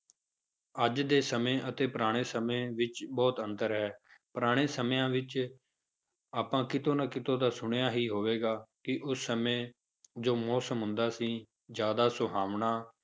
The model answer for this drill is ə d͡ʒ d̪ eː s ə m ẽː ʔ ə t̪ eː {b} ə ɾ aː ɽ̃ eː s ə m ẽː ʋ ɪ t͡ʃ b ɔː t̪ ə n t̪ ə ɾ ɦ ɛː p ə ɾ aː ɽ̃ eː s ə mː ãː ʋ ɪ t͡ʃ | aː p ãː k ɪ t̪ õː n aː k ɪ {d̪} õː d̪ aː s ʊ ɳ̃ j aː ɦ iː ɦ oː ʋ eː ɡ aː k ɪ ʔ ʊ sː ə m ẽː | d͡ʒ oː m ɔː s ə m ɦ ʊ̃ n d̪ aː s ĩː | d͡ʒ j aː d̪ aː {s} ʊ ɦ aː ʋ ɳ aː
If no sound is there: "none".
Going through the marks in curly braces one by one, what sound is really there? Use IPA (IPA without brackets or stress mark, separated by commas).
p, t̪, s